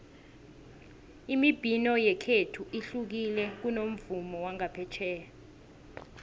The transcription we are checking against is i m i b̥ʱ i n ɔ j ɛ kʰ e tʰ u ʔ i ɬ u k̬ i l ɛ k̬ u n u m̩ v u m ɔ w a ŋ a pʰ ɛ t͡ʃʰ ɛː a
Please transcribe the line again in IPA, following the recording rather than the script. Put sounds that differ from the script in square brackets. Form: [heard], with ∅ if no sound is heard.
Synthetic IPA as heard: i m i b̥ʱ i n ɔ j ɛ kʰ e tʰ u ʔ i ɬ u k̬ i l ɛ k̬ u n [o] m̩ v u m ɔ w a ŋ a pʰ ɛ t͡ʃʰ ɛː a